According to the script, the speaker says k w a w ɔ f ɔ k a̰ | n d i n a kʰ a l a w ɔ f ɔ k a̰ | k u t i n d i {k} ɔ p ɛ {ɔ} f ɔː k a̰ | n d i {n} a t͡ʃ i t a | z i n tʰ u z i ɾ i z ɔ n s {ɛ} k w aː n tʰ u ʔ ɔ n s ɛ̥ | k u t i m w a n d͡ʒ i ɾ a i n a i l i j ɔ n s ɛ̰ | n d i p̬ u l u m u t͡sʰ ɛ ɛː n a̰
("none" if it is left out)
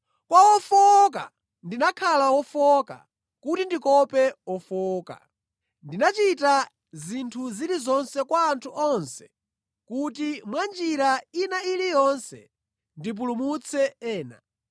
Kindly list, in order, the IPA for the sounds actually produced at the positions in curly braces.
k, ɔ, n, ɛ

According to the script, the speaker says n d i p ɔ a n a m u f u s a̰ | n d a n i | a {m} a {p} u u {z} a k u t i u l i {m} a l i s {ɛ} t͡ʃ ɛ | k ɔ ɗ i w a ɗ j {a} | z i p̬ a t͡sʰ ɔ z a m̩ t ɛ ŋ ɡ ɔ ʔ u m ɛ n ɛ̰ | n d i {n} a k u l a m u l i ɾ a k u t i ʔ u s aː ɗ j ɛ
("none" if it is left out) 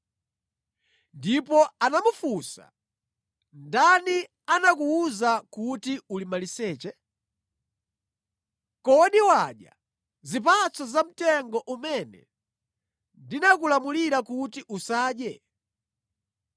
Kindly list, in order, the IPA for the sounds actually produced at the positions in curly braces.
n, k, z, m, ɛː, a, n

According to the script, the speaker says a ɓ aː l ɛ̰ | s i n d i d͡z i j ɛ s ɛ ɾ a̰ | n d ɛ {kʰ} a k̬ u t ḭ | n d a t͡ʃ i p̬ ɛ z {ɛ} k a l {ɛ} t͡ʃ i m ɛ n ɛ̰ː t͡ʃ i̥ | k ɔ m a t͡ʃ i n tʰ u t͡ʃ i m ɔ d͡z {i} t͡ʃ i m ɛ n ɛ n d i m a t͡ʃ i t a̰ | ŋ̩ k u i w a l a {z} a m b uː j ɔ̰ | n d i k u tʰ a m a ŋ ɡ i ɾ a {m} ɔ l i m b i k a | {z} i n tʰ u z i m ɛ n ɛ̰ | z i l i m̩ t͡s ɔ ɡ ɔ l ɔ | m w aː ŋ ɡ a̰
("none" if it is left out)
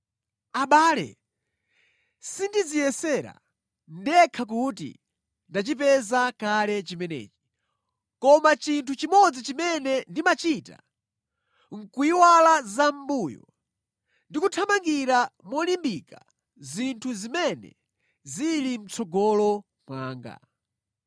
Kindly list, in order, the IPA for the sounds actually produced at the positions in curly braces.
kʰ, a, ɛ, i, z, m, z

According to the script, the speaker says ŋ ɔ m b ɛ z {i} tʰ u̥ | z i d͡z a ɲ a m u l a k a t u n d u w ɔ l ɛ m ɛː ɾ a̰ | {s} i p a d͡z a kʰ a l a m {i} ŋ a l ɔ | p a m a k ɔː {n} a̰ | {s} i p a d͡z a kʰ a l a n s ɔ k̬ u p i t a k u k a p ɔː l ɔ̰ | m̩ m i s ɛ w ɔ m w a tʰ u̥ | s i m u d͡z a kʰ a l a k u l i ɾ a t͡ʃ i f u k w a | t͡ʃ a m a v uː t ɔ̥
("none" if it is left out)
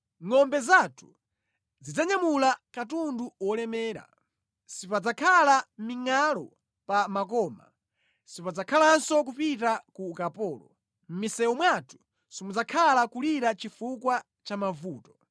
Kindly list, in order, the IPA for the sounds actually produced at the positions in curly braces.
a, s, i, m, s

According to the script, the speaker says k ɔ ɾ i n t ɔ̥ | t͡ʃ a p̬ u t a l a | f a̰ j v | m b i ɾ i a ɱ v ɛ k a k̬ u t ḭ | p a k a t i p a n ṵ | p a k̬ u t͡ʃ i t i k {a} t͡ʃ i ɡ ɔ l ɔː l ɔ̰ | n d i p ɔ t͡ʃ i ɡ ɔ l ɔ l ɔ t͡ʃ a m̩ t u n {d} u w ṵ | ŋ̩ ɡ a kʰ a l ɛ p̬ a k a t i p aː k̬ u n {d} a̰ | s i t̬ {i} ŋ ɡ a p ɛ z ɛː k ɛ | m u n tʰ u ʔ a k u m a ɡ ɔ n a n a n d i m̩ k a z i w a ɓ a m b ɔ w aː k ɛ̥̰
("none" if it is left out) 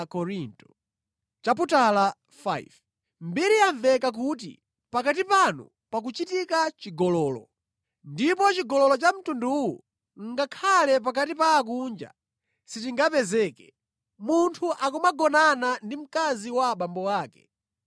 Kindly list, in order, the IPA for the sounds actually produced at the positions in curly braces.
a, d, d͡ʒ, i

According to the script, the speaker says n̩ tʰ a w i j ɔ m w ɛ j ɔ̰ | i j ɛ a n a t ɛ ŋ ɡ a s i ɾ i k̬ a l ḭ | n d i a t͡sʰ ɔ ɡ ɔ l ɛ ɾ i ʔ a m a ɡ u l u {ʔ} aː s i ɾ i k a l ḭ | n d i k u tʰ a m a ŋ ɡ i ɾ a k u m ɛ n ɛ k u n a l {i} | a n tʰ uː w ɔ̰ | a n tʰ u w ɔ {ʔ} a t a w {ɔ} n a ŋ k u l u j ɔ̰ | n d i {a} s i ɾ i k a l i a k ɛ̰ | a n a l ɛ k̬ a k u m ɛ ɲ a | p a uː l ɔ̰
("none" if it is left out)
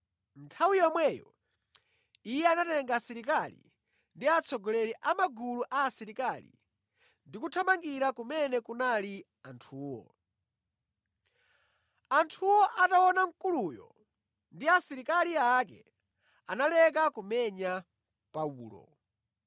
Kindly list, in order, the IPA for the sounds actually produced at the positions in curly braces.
ʔ, i, ʔ, ɔ, a

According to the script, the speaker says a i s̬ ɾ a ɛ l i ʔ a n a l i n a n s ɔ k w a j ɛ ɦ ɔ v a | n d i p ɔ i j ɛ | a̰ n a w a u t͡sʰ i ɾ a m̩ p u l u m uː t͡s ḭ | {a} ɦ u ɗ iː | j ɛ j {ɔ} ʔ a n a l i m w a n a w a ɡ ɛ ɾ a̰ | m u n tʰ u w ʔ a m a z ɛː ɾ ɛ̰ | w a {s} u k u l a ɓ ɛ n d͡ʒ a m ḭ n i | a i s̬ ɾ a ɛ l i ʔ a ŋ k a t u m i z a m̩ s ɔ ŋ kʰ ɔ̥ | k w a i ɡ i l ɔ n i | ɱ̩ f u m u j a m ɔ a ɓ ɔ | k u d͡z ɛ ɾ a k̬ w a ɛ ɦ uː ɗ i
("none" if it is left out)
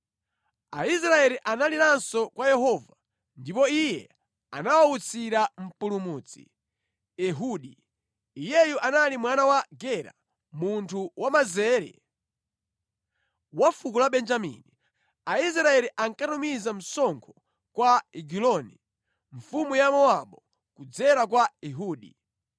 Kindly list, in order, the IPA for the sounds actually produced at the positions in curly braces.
ɛ, u, f

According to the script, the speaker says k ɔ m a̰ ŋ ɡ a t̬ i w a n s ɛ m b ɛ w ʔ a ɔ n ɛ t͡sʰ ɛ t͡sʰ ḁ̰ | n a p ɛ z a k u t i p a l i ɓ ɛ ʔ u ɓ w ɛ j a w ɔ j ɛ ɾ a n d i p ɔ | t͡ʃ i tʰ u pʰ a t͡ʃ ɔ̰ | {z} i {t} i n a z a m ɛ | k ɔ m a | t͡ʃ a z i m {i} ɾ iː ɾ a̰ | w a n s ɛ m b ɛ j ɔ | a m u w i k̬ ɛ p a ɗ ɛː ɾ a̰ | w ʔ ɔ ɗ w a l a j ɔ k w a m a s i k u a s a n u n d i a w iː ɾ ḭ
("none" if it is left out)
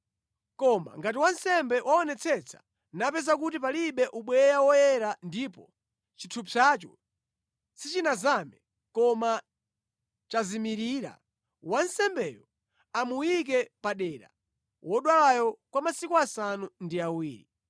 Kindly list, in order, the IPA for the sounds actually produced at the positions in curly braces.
s, t͡ʃ, i

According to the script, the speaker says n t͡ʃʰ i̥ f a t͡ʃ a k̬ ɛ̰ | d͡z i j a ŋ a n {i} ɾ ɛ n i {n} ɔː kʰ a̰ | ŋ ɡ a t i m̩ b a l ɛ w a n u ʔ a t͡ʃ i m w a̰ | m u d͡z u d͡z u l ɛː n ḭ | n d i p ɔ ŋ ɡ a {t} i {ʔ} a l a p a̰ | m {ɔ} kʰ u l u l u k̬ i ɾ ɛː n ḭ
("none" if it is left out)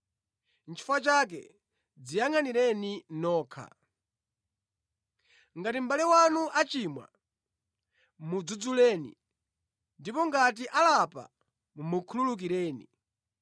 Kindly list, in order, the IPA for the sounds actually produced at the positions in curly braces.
i, n, t, ʔ, u

